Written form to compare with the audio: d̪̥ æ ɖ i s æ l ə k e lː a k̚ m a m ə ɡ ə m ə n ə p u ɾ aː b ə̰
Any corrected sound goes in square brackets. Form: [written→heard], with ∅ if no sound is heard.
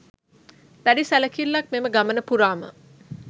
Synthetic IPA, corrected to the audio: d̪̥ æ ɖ i s æ l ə k [e→i] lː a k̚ m [a→e] m ə ɡ [ə→a] m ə n ə p u ɾ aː [b→m] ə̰